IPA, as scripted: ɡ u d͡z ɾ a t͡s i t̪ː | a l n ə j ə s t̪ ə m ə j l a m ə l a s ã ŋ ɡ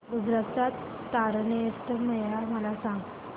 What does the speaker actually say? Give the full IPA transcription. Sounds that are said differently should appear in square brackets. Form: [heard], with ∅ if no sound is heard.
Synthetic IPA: ɡ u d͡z ɾ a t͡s [a] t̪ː | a [ɾ] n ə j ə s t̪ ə m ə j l a m ə l a s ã ŋ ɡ